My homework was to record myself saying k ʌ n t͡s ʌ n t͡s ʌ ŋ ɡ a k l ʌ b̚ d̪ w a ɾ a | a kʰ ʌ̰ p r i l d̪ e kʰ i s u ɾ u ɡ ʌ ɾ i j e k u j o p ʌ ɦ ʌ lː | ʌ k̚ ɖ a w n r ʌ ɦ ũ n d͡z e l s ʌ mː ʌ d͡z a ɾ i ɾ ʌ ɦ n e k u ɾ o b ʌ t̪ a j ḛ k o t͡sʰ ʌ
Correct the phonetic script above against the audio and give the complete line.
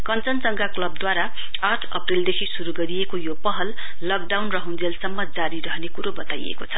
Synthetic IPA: k ʌ n t͡s ʌ n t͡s ʌ ŋ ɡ a k l ʌ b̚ d̪ w a ɾ a | a ʈʰ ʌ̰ p r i l d̪ e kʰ i s u ɾ u ɡ ʌ ɾ i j e k o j o p ʌ ɦ ʌ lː | ʌ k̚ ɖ a w n r ʌ ɦ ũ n d͡z e l s ʌ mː ʌ d͡z a ɾ i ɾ ʌ ɦ n e k u ɾ o b ʌ t̪ a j ḛ k o t͡sʰ ʌ